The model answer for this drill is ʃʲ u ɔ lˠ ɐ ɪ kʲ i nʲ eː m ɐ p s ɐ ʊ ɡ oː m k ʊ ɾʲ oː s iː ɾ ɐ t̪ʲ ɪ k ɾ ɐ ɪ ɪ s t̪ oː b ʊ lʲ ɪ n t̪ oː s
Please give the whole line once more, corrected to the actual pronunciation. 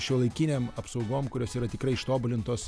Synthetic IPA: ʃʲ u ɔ lˠ ɐ ɪ kʲ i nʲ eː m ɐ p s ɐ ʊ ɡ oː m k ʊ ɾʲ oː s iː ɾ ɐ t̪ʲ ɪ k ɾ ɐ ɪ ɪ ʃ t̪ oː b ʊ lʲ ɪ n t̪ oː s